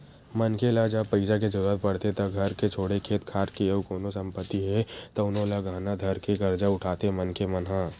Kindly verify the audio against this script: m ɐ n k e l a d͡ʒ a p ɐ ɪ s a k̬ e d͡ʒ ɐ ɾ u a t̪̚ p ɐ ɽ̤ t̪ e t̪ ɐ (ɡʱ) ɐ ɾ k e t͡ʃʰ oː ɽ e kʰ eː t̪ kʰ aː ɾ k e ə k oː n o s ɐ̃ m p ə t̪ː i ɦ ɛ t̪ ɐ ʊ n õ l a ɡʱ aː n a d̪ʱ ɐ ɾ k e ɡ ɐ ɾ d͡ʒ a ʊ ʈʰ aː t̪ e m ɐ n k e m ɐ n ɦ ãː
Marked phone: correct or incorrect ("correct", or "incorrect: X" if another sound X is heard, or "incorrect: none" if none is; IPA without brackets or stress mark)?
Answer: correct